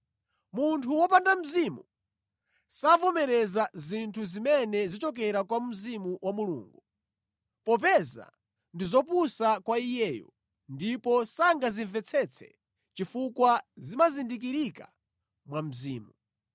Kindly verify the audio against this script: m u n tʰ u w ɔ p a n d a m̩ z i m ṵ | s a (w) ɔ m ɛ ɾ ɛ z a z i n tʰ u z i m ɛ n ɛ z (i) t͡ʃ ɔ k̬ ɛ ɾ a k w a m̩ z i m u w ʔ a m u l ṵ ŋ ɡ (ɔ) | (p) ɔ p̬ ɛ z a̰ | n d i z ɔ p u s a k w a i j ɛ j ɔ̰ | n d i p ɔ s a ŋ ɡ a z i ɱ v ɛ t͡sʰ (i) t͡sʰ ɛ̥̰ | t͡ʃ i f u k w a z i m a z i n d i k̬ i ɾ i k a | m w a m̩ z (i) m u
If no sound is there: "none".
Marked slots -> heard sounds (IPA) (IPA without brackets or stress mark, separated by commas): v, i, u, p, ɛ, iː